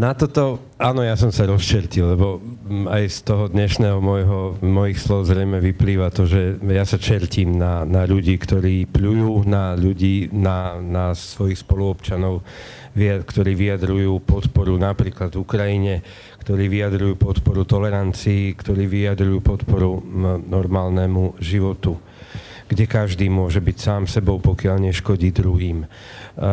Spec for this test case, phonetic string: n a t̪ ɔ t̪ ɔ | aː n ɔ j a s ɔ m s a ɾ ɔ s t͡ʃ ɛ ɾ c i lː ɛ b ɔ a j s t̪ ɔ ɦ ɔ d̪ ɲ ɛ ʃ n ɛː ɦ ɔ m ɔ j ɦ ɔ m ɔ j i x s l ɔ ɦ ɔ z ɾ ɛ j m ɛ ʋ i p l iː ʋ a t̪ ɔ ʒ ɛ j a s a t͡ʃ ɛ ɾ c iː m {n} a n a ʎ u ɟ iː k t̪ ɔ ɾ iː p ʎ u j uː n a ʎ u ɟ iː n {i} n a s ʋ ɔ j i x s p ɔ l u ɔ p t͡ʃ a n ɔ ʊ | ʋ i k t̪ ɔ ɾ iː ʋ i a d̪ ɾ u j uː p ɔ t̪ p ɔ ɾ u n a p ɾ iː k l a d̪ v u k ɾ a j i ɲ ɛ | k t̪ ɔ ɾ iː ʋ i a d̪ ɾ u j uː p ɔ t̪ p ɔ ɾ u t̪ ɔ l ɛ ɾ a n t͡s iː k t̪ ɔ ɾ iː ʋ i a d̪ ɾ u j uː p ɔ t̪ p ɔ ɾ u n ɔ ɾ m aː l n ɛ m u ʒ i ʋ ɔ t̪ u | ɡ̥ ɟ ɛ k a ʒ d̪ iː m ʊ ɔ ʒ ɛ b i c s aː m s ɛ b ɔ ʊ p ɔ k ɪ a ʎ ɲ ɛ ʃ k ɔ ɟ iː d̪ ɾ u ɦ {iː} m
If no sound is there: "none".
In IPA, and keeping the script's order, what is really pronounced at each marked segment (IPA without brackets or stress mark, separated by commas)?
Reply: n, a, iː